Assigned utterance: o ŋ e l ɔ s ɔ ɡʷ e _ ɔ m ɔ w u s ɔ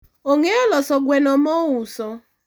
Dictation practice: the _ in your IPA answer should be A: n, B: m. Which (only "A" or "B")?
A